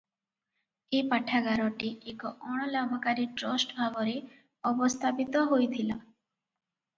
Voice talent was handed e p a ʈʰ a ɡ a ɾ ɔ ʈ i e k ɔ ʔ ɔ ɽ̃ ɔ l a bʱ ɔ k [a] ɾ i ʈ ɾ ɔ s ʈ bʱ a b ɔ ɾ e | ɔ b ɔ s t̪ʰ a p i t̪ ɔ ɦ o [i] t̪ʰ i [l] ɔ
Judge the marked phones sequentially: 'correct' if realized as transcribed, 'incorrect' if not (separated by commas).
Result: correct, incorrect, correct